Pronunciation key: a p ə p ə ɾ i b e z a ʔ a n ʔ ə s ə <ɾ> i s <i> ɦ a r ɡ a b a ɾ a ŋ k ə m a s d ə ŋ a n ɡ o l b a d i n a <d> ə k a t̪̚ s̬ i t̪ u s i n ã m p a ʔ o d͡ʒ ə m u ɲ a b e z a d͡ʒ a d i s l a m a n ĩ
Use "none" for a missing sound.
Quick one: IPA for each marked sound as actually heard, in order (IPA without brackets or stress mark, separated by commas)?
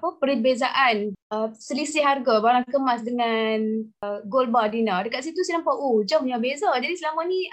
l, i, d